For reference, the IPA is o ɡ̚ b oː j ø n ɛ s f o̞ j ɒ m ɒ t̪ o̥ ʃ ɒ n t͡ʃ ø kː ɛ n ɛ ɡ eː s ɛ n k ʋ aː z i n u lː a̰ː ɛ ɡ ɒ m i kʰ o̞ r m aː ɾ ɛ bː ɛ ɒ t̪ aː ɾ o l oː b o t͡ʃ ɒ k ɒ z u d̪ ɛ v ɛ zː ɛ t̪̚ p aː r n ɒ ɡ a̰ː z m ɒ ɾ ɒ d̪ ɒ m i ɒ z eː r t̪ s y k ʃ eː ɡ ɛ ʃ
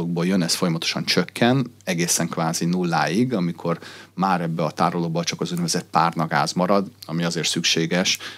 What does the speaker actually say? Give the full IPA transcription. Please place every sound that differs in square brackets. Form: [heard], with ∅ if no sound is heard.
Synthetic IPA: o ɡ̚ b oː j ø n ɛ s f o̞ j ɒ m ɒ t̪ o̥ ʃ ɒ n t͡ʃ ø kː ɛ n ɛ ɡ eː s ɛ [ŋ] k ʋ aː z i n u lː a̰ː [i] ɡ ɒ m i kʰ o̞ r m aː ɾ ɛ bː ɛ ɒ t̪ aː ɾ o l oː b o t͡ʃ ɒ k ɒ z u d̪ ɛ v ɛ [z] ɛ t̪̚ p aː r n ɒ ɡ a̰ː z m ɒ ɾ ɒ d̪ ɒ m i ɒ z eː r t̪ s y k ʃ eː ɡ ɛ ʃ